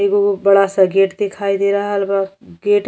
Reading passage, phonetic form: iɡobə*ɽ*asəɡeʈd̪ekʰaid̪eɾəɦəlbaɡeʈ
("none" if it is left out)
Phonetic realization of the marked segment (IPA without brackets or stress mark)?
ɽ